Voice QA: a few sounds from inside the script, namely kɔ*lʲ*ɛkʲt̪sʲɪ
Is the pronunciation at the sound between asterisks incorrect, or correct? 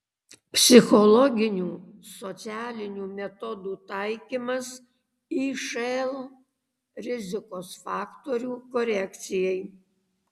incorrect: ɾʲ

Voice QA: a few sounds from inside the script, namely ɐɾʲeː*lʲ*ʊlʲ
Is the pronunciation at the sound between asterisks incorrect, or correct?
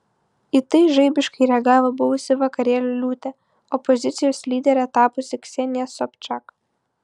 correct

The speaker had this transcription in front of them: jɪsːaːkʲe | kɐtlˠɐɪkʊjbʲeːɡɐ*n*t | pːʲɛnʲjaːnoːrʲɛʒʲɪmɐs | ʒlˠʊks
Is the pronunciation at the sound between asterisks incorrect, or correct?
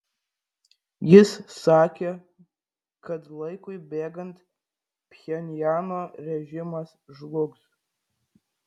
correct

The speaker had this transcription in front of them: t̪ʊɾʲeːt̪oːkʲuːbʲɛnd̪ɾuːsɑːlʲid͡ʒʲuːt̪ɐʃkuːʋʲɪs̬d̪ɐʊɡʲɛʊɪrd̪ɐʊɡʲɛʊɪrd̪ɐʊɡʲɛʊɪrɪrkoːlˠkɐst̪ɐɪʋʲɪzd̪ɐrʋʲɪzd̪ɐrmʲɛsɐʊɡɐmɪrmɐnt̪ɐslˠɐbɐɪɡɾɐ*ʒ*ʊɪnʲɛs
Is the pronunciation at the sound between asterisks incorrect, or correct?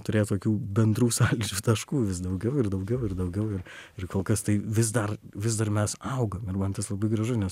correct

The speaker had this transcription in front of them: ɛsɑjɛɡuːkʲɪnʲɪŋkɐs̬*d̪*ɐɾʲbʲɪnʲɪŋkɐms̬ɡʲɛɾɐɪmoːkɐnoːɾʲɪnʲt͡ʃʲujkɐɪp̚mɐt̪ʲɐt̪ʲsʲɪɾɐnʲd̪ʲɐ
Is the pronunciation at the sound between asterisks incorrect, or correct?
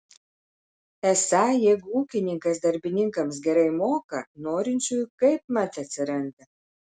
correct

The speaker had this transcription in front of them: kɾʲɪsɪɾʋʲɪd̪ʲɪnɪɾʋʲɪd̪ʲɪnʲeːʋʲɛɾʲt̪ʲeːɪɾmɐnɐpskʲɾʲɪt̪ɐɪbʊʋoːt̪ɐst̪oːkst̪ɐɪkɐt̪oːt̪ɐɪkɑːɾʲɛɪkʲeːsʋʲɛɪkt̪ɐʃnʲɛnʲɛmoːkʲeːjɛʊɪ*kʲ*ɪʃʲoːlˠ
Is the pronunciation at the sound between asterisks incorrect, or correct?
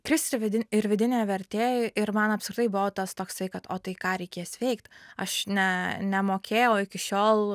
correct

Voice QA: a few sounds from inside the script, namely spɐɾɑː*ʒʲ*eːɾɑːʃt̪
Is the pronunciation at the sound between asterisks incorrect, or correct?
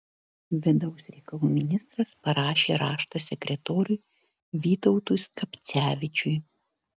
incorrect: ʃʲ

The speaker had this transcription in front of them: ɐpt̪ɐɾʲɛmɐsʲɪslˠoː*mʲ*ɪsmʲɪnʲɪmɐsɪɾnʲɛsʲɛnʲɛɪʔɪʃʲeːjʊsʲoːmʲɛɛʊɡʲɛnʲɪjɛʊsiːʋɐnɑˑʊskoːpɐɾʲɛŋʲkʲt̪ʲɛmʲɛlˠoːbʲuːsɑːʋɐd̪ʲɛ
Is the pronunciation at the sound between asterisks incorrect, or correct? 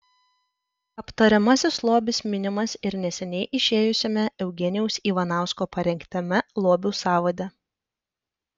incorrect: bʲ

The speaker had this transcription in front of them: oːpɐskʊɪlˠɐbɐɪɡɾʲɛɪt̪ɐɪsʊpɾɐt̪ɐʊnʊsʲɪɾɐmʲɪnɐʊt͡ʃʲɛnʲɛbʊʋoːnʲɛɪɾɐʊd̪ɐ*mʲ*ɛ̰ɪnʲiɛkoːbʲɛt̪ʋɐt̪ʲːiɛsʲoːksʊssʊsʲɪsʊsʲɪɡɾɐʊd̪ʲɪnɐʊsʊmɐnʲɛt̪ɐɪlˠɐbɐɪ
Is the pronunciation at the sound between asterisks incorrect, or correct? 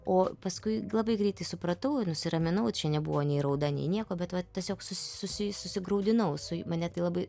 incorrect: nʲ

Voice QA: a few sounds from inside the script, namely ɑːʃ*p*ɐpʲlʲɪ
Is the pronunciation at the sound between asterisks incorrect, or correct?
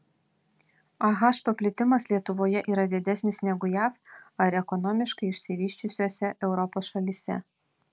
correct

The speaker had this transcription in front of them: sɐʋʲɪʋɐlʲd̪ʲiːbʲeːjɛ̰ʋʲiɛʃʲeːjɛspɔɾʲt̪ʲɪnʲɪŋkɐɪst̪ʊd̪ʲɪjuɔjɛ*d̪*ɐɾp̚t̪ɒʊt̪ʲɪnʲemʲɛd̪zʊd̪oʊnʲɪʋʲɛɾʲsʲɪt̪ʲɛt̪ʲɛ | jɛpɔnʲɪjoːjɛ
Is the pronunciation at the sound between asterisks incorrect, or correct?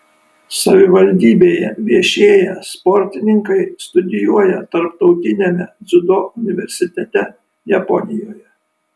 incorrect: t̪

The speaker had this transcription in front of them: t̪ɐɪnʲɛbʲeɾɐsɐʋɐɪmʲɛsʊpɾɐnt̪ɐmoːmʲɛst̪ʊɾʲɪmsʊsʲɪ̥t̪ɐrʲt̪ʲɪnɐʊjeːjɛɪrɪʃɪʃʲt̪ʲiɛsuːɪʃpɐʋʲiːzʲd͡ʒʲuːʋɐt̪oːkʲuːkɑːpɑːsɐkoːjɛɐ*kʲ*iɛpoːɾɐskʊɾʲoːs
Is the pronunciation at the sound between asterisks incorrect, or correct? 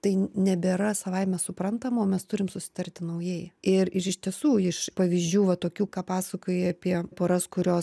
incorrect: pʲ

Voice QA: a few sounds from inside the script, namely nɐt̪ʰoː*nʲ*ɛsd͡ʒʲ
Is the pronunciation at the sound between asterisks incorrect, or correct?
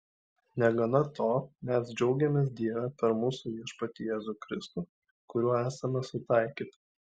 incorrect: mʲ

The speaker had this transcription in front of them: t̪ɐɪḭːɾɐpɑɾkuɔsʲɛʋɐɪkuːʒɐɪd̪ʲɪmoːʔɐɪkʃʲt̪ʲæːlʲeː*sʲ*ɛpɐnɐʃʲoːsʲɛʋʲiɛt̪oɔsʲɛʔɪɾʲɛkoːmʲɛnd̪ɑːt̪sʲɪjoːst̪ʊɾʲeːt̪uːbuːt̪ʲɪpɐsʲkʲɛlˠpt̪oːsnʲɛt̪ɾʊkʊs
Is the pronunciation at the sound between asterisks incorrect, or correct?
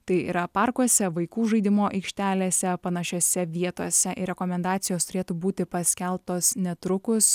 correct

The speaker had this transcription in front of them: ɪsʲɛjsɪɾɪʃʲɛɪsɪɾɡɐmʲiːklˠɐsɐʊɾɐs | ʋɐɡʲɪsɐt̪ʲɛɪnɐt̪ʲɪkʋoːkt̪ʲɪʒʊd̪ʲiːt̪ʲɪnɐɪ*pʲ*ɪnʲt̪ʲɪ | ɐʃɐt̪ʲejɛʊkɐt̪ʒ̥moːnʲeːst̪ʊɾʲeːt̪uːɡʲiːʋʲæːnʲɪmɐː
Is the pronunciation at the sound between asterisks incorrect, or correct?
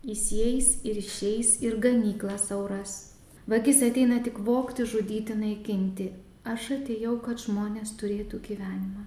incorrect: kʲ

